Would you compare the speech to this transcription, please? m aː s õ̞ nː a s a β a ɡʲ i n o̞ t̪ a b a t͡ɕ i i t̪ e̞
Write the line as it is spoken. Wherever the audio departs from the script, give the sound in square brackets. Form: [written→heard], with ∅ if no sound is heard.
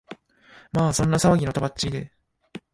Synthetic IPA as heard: m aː s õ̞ nː a s a β a ɡʲ i n o̞ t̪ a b a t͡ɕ i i [t̪→d̪] e̞